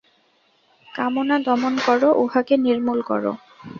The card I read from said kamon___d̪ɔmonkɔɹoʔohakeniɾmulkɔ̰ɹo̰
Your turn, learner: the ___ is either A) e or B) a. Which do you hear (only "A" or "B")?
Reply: B